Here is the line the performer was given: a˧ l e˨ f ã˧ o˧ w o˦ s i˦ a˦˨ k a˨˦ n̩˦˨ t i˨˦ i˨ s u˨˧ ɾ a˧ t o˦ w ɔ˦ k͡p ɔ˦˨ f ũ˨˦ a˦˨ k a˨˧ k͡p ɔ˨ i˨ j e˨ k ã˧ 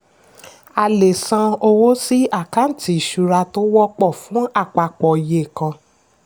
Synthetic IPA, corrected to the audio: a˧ l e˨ s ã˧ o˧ w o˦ s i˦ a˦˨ k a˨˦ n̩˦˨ t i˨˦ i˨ ʃ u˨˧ ɾ a˧ t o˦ w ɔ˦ k͡p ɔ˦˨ f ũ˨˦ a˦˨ k͡p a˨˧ k͡p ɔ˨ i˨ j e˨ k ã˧